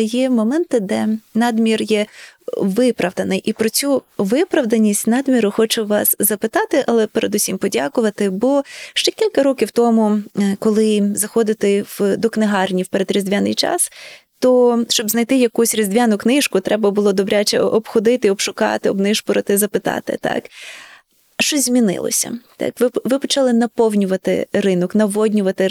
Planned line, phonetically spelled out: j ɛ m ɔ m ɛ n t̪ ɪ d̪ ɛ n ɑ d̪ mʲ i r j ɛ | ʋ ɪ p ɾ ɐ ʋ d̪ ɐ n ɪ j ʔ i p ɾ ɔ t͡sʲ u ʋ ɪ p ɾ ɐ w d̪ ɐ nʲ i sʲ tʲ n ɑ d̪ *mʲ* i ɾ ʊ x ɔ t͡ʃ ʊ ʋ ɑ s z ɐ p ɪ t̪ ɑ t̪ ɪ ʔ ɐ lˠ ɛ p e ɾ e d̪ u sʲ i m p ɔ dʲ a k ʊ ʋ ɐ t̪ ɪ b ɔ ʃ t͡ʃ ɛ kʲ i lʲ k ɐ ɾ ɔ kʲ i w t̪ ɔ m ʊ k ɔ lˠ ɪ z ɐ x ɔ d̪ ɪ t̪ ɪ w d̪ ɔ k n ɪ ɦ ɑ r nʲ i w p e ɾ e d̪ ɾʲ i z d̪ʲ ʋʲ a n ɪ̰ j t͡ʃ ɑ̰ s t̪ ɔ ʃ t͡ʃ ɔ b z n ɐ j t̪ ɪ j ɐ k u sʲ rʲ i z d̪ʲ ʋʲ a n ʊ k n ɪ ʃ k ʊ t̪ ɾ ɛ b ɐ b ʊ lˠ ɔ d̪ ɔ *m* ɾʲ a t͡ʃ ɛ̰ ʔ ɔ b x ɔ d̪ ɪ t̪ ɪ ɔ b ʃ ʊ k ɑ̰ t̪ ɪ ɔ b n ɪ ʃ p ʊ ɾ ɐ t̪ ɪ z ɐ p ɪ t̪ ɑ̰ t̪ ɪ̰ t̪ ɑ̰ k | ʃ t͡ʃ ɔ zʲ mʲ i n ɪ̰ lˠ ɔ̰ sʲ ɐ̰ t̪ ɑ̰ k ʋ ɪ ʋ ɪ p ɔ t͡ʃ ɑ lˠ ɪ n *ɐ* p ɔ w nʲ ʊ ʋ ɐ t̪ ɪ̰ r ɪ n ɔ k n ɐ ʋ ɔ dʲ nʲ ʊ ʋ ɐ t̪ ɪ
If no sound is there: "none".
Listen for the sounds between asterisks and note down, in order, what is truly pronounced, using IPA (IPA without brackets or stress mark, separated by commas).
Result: mʲ, b, ɐ